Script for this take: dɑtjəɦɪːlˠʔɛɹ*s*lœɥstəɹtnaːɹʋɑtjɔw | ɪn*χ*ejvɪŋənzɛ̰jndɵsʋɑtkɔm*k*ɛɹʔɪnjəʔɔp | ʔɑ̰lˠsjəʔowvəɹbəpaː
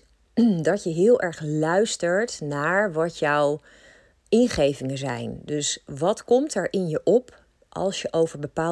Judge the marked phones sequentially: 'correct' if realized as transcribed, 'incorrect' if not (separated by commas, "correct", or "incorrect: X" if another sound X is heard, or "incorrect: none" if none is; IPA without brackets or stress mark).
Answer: incorrect: χ, correct, incorrect: t